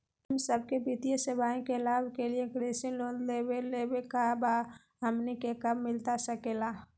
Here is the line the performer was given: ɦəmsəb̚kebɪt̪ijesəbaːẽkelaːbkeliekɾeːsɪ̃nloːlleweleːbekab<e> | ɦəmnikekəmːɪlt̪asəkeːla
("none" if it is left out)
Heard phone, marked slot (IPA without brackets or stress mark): a